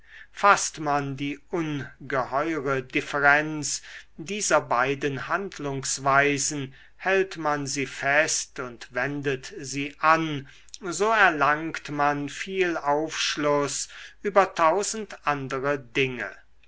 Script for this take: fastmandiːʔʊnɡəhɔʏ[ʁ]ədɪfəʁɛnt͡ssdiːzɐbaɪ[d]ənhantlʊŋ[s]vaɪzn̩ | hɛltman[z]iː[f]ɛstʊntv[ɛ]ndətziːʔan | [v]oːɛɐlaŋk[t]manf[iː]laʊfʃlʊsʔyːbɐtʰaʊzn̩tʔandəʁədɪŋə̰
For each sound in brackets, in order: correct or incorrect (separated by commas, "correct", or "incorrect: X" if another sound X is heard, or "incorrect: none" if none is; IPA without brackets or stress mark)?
correct, correct, correct, correct, correct, correct, incorrect: z, correct, correct